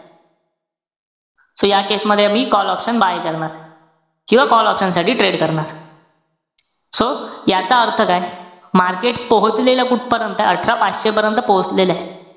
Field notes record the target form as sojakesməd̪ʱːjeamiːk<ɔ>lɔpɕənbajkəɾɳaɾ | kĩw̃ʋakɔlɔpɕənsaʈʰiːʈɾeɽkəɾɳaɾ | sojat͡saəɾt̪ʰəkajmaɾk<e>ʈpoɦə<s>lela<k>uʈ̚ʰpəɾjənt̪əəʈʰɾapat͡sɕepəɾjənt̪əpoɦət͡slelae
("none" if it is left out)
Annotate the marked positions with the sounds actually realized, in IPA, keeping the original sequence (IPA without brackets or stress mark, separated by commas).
ɔ, e, t͡s, k